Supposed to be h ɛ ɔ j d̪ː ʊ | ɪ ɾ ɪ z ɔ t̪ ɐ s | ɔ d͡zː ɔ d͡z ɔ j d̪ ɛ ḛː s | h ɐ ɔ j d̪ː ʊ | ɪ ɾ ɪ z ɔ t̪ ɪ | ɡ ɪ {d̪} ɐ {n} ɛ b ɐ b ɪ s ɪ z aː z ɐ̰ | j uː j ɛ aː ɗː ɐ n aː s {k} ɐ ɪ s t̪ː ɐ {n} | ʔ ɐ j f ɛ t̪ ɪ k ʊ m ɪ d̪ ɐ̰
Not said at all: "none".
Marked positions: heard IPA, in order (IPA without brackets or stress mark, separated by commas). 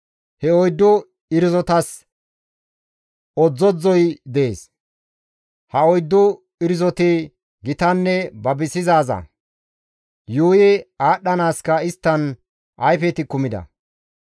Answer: t̪, nː, k, n